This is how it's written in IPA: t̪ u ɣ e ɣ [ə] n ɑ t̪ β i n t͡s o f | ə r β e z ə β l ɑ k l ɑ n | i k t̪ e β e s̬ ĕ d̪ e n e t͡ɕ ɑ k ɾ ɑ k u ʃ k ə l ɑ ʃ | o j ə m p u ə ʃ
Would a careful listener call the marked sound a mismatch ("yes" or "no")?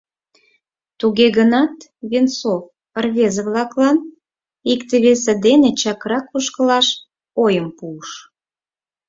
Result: no